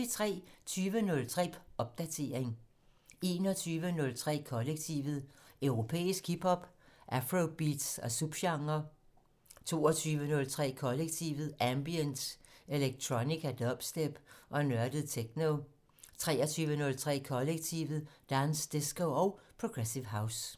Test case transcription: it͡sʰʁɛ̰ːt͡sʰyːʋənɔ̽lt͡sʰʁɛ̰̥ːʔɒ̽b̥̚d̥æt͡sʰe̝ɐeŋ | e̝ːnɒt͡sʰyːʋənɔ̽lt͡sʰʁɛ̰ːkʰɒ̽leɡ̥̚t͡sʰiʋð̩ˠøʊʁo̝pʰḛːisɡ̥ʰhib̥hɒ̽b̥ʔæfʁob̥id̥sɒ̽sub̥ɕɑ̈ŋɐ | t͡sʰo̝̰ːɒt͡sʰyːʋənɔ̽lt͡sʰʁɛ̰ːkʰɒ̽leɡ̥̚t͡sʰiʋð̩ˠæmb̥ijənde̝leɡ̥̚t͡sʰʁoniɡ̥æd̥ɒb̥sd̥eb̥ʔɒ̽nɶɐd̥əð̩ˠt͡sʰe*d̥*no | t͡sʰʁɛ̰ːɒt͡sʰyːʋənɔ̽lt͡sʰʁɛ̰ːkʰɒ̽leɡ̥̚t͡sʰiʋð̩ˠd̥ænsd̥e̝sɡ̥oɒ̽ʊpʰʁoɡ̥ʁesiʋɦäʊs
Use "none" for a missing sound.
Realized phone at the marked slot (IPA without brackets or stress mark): ɡ̥